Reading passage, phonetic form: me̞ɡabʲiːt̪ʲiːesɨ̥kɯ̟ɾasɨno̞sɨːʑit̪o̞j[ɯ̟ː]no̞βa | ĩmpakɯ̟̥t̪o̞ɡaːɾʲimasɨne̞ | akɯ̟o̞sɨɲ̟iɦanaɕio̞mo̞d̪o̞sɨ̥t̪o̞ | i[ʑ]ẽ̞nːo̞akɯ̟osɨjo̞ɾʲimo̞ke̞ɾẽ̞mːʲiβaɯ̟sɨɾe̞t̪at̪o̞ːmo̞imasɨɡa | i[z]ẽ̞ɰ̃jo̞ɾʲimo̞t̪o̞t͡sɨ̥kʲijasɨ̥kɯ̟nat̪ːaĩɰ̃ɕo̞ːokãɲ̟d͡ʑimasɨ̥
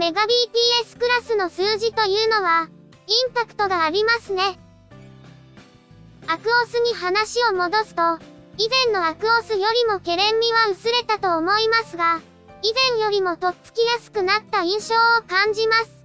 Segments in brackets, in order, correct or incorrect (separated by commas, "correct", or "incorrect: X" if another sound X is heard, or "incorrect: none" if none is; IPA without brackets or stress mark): correct, incorrect: z, correct